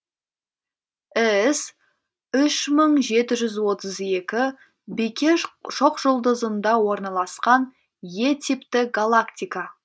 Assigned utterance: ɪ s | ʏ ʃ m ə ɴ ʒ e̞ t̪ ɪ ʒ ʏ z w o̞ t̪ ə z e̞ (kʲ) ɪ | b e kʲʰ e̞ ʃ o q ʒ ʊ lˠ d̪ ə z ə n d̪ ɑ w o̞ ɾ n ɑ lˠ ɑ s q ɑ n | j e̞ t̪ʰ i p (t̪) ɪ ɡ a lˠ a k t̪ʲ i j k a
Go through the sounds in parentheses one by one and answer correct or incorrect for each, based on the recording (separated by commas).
correct, correct